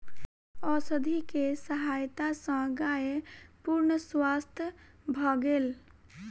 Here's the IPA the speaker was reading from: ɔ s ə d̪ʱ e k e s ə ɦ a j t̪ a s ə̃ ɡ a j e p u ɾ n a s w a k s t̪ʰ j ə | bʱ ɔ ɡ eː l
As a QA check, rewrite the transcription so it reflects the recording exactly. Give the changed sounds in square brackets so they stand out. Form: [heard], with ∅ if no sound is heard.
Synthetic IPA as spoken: ɔ s ə d̪ʱ [i] k e s ə ɦ a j t̪ a s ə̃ ɡ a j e p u ɾ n [ə] s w a [∅] s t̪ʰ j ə | bʱ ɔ ɡ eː l